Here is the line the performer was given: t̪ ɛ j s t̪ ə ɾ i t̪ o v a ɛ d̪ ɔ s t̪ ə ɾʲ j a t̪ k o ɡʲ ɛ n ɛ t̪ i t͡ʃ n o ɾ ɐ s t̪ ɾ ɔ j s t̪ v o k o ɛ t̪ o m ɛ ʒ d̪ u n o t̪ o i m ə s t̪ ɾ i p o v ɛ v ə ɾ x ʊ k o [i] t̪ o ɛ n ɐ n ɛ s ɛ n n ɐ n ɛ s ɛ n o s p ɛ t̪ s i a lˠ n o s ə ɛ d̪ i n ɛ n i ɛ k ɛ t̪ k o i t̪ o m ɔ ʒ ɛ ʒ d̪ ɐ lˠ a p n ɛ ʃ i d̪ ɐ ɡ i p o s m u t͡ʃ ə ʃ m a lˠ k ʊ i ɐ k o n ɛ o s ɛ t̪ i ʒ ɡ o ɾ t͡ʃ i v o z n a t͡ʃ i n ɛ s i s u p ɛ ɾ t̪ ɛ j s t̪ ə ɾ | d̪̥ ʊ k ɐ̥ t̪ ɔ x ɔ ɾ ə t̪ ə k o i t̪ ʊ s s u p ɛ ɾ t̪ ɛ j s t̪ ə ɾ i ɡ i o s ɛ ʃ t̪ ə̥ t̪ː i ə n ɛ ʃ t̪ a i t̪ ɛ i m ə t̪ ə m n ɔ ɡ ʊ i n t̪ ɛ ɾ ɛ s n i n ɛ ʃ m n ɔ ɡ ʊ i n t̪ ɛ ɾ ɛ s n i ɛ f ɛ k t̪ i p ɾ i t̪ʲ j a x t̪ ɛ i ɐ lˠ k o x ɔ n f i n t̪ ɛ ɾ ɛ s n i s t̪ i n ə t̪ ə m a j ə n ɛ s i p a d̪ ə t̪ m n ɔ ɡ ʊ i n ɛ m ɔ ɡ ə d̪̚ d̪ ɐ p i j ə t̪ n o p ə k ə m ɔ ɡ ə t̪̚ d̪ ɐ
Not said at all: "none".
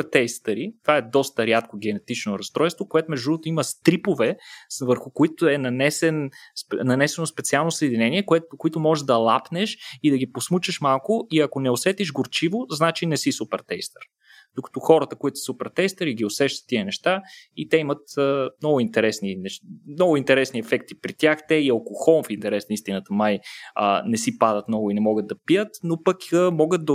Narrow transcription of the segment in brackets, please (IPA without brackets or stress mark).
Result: i